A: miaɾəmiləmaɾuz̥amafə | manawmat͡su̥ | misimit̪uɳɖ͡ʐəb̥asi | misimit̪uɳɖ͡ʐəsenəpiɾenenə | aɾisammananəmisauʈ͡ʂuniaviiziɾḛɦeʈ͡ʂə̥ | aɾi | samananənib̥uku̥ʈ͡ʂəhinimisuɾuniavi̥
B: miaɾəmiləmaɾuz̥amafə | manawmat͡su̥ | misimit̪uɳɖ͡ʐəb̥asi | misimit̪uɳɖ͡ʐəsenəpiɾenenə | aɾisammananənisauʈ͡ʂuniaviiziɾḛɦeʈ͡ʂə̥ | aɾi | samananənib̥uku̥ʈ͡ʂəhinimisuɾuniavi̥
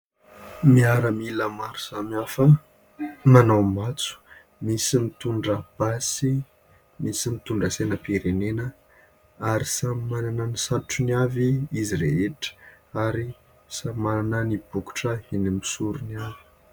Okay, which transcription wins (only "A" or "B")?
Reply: B